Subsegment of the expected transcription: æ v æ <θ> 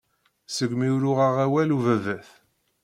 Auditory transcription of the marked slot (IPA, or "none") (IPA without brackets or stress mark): θ